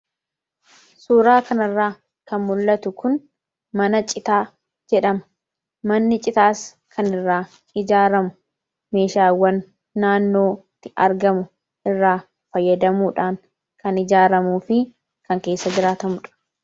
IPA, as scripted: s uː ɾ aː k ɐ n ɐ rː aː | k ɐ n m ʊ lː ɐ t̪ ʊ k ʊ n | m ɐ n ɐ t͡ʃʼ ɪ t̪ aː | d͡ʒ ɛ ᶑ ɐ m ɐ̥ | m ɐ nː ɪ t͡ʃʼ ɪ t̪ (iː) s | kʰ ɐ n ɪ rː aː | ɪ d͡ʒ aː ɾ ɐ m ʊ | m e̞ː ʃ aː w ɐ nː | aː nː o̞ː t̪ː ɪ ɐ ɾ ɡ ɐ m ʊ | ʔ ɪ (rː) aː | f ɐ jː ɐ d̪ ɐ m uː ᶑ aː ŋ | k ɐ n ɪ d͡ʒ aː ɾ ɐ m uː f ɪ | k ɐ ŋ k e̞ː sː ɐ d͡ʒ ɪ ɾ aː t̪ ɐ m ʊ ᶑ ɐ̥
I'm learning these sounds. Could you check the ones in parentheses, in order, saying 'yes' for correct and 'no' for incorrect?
no, yes

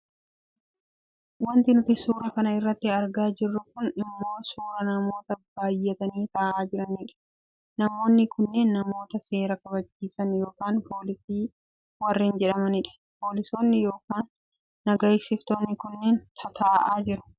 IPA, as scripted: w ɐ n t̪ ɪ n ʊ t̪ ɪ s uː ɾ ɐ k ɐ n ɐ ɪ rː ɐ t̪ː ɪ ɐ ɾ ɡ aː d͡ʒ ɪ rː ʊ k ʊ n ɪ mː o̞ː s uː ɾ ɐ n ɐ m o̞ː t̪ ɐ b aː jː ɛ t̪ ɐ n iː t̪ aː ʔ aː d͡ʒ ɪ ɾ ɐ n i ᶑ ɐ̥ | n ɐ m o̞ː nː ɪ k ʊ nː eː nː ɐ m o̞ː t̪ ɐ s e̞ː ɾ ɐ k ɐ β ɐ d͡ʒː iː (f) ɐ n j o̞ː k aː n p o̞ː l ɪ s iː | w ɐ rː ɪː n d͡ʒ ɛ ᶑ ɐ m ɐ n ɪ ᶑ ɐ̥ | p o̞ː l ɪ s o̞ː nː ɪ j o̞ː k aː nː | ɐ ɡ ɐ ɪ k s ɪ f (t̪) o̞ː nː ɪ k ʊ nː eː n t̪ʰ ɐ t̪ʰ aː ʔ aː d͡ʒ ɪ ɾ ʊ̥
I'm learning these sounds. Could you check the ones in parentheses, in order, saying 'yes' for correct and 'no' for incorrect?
no, yes

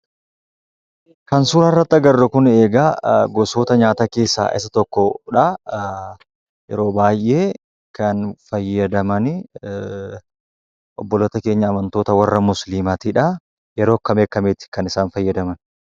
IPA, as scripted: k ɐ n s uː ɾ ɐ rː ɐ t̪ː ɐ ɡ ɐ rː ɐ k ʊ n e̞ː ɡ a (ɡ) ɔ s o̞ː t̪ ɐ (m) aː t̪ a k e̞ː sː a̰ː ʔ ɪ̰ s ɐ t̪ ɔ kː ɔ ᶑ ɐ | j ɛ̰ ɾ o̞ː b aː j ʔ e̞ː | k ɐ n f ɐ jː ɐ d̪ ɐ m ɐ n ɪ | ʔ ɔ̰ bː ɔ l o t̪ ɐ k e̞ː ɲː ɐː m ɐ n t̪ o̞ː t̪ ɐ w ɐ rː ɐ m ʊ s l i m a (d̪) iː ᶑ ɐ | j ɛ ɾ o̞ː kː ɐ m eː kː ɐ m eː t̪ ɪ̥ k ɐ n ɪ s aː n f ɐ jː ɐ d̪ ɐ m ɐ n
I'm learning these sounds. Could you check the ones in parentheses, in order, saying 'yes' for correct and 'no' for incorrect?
yes, no, no

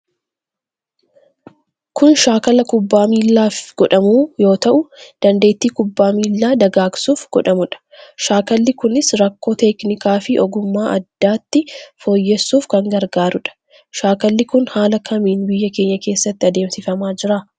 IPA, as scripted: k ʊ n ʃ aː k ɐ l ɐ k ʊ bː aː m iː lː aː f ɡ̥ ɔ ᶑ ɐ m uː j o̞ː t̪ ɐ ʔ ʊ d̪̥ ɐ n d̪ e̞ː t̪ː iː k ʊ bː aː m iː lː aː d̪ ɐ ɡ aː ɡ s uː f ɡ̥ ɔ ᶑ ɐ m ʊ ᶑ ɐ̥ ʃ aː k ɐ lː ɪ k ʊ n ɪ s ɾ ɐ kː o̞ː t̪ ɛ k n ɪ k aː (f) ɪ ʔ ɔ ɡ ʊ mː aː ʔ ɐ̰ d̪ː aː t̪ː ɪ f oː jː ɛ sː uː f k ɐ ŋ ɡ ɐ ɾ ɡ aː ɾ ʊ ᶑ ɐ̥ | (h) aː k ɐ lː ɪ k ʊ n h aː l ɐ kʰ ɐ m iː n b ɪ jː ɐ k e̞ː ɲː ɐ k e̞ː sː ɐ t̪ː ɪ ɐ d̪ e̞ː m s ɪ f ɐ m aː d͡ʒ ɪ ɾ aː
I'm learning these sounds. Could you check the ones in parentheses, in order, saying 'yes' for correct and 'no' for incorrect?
yes, no

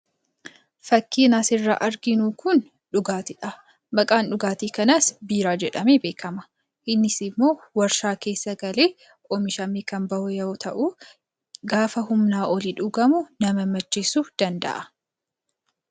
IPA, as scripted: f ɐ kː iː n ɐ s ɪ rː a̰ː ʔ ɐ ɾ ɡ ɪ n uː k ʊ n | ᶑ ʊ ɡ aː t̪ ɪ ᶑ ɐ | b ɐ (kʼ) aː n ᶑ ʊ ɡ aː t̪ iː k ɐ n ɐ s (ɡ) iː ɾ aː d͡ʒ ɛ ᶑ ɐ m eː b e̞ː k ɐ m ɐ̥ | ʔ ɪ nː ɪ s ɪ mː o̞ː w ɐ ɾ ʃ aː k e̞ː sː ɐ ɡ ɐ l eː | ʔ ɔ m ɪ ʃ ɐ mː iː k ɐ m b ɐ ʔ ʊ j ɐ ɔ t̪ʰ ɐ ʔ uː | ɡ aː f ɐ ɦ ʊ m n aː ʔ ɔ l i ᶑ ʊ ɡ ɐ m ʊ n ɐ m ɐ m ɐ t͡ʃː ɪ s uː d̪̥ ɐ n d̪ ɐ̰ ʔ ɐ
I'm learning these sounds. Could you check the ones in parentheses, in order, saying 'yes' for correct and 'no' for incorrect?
yes, no

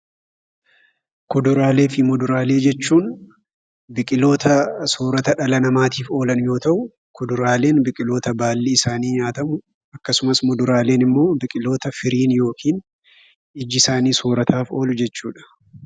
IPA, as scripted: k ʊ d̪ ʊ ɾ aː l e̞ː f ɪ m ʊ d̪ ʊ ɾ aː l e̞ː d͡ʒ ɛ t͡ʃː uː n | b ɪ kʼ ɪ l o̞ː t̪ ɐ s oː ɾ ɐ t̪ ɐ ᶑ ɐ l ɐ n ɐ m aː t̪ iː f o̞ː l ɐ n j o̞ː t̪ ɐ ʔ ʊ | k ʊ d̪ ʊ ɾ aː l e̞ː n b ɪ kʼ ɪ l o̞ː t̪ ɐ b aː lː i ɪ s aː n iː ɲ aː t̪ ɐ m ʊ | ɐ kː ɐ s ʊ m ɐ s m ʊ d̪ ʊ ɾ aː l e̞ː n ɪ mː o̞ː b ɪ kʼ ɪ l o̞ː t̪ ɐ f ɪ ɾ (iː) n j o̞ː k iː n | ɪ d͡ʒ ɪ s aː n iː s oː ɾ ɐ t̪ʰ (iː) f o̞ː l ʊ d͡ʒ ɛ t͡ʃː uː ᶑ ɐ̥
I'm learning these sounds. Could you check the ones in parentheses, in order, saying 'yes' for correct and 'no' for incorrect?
yes, no

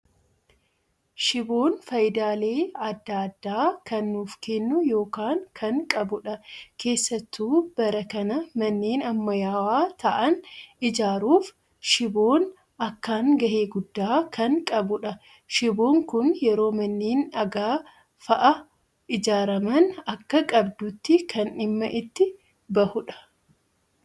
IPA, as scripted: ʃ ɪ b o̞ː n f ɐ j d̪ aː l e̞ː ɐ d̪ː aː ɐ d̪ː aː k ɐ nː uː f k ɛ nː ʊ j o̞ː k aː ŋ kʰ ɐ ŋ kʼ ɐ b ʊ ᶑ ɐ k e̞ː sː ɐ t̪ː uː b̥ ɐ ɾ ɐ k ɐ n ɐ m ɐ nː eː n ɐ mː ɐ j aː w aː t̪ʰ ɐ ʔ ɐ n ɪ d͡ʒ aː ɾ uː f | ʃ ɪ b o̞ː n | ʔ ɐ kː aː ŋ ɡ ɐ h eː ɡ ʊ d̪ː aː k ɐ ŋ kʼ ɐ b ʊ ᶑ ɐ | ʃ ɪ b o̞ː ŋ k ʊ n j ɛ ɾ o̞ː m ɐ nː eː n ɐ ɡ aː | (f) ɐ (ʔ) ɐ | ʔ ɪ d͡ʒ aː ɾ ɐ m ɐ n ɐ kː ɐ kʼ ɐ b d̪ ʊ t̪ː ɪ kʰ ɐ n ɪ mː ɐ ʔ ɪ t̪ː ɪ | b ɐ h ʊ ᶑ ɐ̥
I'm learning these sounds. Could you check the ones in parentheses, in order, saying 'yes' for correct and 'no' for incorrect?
yes, yes

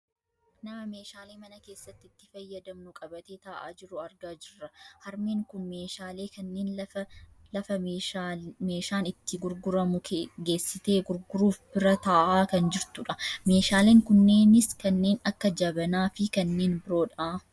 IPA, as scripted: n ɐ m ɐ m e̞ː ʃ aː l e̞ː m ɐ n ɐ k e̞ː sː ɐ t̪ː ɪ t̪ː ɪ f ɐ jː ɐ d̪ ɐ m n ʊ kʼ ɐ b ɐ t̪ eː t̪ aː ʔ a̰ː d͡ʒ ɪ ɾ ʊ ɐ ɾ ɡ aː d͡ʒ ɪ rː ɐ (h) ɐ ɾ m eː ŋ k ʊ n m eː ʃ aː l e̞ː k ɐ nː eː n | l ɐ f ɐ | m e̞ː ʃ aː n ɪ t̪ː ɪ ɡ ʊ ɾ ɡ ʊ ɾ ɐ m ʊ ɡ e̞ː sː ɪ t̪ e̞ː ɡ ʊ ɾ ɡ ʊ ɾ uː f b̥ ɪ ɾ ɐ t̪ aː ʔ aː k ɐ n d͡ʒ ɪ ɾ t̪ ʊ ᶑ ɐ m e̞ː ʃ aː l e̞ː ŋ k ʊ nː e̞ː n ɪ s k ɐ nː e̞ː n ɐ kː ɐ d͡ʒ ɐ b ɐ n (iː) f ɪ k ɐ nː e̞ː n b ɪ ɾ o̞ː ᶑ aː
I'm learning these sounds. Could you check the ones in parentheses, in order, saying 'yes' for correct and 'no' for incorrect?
yes, no

